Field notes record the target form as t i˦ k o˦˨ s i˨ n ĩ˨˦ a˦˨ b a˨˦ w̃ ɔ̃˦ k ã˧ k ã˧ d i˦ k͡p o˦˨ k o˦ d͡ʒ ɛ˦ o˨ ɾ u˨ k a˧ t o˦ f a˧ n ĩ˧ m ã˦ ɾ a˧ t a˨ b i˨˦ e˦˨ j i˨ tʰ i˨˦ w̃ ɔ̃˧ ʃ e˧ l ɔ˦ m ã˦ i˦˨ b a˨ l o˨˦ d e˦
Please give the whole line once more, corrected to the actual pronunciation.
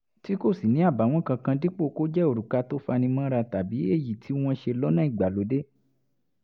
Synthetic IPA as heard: t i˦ k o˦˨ s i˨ n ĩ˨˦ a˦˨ b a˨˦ w̃ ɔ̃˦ k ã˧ k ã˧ d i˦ k͡p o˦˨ k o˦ d͡ʒ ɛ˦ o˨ ɾ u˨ k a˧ t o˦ f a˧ n ĩ˧ m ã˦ ɾ a˧ t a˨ b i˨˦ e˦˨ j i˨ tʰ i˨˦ w̃ ɔ̃˧ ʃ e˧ l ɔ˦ n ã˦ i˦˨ ɡ͡b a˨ l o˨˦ d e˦